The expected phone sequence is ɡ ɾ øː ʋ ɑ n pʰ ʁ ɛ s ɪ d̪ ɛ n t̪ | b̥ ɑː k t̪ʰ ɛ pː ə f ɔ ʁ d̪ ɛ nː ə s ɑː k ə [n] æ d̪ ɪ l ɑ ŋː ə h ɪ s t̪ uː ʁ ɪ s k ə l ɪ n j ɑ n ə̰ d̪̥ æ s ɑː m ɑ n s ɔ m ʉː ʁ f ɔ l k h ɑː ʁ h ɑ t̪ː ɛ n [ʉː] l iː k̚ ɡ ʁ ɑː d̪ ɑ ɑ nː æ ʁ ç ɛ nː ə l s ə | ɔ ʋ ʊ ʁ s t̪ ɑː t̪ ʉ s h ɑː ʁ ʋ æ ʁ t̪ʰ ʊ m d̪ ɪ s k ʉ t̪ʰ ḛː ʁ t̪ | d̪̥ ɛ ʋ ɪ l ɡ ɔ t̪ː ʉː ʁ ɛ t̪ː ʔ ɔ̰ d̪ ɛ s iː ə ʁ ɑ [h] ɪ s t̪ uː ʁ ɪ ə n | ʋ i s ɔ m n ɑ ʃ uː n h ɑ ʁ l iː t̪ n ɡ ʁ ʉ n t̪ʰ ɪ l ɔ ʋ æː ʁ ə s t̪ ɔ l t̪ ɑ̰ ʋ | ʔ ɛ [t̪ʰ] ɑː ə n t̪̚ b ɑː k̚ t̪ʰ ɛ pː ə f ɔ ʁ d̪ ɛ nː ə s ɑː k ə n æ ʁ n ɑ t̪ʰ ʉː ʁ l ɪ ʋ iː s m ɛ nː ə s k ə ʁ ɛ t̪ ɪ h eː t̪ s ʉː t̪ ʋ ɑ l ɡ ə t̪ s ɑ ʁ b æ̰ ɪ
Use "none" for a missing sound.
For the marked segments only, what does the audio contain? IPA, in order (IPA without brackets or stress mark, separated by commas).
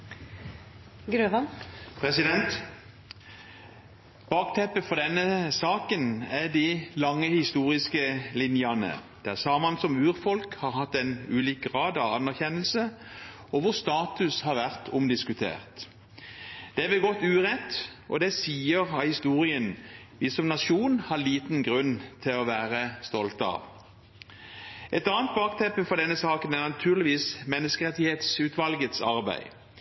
n, ʉː, h, t̪